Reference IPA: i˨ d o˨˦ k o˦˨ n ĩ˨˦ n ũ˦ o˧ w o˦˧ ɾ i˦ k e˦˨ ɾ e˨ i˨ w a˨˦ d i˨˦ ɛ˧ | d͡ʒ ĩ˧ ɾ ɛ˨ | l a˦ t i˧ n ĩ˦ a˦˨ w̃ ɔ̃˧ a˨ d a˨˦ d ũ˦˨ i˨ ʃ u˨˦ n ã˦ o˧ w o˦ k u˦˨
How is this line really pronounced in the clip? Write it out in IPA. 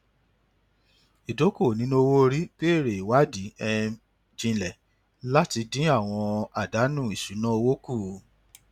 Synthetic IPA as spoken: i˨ d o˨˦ k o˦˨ n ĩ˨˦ n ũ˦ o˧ w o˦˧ ɾ i˦ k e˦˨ ɾ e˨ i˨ w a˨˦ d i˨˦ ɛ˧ | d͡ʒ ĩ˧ l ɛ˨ | l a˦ t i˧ d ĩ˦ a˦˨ w̃ ɔ̃˧ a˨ d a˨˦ n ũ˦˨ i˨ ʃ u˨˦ n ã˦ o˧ w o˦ k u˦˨